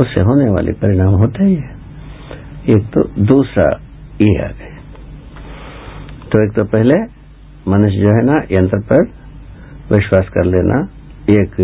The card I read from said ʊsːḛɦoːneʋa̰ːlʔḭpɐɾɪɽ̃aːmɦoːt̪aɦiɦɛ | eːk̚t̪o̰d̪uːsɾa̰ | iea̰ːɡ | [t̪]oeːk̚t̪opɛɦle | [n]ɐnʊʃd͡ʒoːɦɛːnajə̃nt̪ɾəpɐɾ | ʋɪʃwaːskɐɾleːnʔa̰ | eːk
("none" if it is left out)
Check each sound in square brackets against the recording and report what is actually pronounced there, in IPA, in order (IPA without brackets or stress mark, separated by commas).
t̪, m